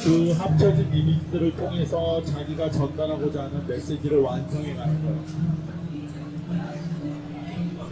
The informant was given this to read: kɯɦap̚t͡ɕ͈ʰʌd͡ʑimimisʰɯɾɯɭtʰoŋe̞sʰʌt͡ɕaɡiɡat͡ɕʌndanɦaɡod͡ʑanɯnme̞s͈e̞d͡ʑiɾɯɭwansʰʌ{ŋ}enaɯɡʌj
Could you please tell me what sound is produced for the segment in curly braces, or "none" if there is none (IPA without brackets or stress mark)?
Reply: ŋ